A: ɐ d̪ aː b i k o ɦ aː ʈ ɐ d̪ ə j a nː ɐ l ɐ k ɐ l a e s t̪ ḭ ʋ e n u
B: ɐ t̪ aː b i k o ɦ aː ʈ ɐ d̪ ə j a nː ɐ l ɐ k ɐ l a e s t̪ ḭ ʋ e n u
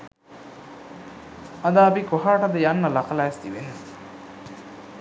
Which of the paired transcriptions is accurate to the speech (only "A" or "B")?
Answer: A